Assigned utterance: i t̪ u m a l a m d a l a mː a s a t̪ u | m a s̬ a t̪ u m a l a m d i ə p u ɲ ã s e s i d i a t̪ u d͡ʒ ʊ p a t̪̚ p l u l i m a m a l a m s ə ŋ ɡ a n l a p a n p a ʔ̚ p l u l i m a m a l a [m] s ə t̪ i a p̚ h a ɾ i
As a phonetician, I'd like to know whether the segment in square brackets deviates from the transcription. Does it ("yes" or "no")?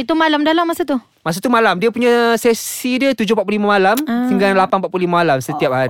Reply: no